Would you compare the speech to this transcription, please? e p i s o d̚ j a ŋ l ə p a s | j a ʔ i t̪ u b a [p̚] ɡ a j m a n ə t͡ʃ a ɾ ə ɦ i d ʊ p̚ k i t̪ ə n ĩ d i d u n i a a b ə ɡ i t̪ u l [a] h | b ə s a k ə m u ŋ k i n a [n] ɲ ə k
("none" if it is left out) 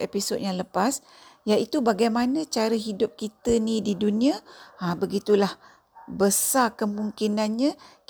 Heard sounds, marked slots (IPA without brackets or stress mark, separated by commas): none, a, n